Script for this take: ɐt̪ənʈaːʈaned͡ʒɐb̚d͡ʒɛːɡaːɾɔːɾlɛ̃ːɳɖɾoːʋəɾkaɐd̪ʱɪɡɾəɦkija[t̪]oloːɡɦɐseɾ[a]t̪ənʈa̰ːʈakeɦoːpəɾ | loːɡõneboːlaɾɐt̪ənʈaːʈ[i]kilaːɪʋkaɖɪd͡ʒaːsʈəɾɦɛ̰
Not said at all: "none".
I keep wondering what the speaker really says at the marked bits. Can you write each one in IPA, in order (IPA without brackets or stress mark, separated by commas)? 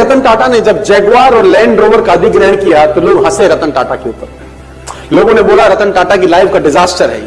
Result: t̪, ɐ, a